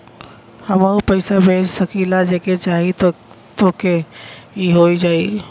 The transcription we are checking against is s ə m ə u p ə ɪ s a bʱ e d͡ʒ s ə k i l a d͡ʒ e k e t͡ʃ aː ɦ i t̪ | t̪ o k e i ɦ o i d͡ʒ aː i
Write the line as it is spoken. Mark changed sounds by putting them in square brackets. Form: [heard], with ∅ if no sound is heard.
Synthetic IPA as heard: [h] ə m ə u p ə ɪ s a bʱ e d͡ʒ s ə k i l a d͡ʒ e k e t͡ʃ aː ɦ i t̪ | t̪ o k e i ɦ o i d͡ʒ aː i